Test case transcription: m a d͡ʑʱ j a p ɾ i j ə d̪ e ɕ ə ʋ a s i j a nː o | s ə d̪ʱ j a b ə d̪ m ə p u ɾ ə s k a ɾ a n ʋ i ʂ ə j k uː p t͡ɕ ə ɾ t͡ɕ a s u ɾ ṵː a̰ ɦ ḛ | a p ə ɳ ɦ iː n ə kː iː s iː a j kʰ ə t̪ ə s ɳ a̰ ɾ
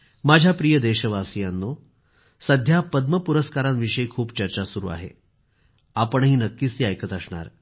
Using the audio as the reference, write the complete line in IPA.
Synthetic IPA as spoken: m a d͡ʑʱ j a p ɾ i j ə d̪ e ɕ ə ʋ a s i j a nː o | s ə d̪ʱ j a p ə d̪ m ə p u ɾ ə s k a ɾ a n ʋ i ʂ ə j kʰ uː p t͡ɕ ə ɾ t͡ɕ a s u ɾ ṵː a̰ ɦ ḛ | a p ə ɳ ɦ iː n ə kː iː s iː a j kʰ ə t̪ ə s ɳ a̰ ɾ